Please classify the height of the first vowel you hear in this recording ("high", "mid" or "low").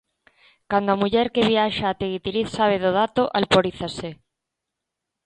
low